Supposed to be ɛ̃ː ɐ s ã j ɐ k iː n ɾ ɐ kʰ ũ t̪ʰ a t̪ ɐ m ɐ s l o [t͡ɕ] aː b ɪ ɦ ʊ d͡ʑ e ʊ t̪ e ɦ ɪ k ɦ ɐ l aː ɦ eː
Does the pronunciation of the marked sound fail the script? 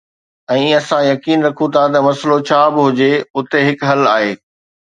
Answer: yes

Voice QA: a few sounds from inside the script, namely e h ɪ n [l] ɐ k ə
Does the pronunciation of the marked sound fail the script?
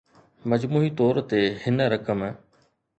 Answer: yes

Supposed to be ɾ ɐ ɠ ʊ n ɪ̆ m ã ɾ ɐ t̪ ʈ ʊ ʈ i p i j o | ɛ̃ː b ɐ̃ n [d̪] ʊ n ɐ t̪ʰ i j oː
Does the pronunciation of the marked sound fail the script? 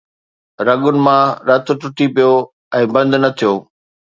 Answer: no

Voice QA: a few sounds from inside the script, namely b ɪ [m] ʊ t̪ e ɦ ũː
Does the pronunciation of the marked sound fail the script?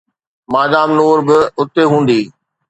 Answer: yes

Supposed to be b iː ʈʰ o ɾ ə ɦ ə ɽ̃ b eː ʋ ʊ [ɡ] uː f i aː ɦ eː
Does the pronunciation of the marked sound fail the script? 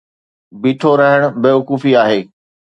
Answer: yes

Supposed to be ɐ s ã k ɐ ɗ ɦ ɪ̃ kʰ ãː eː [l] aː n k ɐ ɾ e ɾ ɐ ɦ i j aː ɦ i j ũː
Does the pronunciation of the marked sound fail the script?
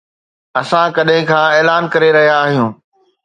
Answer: no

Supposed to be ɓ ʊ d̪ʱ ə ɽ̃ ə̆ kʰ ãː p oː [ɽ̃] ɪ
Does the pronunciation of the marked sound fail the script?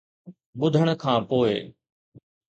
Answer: yes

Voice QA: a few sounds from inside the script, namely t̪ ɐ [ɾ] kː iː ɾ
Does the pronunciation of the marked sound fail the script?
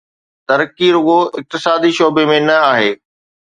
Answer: no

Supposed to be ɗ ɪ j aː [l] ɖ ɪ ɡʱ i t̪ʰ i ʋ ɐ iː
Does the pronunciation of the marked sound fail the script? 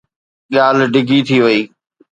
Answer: no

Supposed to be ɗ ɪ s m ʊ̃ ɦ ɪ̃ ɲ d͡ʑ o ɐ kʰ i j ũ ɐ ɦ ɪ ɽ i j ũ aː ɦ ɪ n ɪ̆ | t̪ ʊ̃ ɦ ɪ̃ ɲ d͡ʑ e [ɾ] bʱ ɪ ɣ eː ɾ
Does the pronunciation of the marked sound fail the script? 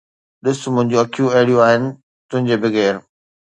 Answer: yes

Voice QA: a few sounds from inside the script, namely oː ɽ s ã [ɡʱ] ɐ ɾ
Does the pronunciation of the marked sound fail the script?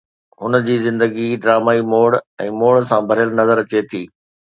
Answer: yes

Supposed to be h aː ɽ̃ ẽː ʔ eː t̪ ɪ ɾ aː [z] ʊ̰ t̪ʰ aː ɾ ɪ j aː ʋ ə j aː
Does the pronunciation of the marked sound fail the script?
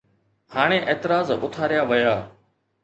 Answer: no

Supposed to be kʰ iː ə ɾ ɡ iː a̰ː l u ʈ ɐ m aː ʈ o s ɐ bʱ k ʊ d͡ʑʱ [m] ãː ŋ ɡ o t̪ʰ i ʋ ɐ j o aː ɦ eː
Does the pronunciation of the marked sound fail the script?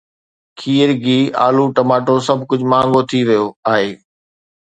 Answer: no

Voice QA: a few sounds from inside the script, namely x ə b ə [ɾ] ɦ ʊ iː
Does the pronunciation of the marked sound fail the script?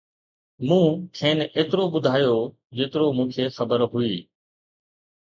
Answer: no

